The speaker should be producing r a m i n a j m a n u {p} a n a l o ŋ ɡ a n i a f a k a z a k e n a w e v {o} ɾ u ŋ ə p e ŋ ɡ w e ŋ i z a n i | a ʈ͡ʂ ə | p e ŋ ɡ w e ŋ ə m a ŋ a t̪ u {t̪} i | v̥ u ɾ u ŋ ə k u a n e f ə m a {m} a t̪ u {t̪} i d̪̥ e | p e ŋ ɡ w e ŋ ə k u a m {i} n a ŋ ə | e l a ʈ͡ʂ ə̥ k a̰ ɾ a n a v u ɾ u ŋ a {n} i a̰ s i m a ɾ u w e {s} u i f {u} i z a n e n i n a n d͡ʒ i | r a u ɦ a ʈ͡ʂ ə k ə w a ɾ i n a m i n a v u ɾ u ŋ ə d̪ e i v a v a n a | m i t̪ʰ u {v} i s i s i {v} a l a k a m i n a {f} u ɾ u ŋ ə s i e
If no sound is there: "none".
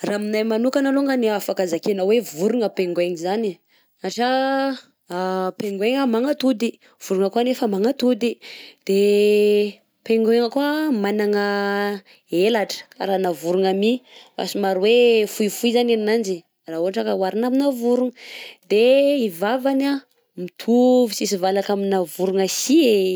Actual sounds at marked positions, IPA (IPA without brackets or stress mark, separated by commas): k, u, d̪, ŋ, d̪, a, m, f, u, v, v, v